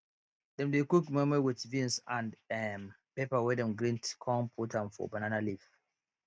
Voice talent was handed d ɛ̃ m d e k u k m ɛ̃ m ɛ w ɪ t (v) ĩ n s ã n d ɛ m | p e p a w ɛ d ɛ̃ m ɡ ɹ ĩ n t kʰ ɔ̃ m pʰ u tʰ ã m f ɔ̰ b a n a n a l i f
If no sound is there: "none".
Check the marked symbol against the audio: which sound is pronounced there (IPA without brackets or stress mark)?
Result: v